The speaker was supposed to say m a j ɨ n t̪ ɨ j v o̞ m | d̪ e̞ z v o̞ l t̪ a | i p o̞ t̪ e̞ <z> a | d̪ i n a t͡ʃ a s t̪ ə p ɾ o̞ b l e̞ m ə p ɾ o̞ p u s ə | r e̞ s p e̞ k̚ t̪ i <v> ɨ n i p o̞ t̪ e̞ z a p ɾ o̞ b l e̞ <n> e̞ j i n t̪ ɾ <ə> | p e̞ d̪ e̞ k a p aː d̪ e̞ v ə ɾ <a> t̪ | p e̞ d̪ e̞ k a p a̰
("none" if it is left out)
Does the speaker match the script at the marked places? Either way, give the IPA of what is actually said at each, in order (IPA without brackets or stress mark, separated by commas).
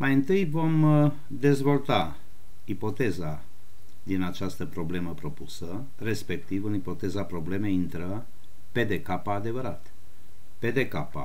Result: z, v, m, ə, a